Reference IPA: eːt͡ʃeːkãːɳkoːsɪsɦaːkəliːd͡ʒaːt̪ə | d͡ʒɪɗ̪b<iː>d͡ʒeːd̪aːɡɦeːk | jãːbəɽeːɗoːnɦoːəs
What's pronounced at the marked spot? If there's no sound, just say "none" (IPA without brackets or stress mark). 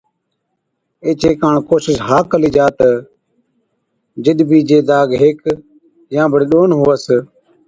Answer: iː